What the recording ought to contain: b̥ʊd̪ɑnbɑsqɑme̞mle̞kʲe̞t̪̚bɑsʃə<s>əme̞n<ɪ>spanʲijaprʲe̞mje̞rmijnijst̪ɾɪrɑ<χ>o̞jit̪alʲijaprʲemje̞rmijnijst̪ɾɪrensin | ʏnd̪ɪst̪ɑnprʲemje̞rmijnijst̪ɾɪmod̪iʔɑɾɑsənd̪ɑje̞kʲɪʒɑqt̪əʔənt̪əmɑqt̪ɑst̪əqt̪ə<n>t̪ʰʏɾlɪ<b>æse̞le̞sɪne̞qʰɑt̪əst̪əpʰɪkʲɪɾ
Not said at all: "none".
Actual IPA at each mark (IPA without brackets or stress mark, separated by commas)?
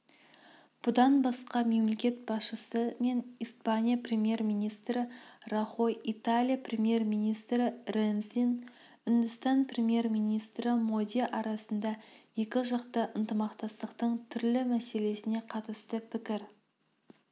s, i, χ, ɴ, m